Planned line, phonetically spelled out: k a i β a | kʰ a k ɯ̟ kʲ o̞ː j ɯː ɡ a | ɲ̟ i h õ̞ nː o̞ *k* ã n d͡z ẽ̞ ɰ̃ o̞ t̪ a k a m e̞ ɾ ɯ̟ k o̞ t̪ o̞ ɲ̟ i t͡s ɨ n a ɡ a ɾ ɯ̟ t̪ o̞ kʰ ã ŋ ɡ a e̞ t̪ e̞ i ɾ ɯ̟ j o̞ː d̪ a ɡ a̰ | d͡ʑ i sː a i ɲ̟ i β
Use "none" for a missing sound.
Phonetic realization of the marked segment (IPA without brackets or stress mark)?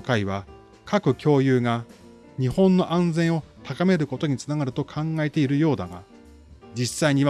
ʔ